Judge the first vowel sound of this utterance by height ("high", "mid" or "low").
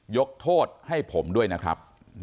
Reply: mid